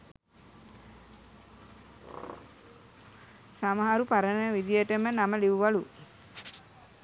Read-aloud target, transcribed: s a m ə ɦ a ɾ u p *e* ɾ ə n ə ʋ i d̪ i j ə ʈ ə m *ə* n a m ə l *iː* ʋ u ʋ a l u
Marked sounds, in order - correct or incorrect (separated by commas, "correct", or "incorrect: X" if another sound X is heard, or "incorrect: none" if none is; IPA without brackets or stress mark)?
incorrect: a, correct, incorrect: i